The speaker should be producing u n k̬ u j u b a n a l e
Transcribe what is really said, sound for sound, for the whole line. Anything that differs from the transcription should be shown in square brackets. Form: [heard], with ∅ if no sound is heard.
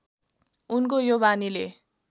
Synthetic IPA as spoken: u n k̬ [o] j [o] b a n [i] l e